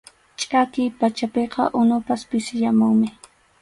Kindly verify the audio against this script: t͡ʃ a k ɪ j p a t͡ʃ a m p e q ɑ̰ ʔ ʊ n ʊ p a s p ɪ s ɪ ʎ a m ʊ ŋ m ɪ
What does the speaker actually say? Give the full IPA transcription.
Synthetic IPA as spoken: t͡ʃʼ a k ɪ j p a t͡ʃ a p e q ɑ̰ ʔ ʊ n ʊ p a s p ɪ s ɪ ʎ a m ʊ ŋ m ɪ